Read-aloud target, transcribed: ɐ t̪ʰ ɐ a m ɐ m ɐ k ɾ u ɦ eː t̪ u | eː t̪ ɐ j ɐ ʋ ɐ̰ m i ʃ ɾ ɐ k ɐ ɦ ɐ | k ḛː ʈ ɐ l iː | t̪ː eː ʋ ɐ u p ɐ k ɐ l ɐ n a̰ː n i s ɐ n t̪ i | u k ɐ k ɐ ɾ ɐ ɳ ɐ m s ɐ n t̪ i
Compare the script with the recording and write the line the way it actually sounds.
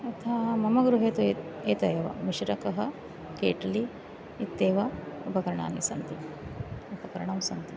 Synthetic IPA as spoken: ɐ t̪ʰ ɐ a m ɐ m ɐ ɡ ɾ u ɦ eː t̪ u | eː t̪ ɐ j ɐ ʋ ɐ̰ m i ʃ ɾ ɐ k ɐ ɦ ɐ | k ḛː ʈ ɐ l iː | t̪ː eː ʋ ɐ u p ɐ k ɐ ɾ ɐ ɳ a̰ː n i s ɐ n t̪ i | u p ɐ k ɐ ɾ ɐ ɳ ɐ m s ɐ n t̪ i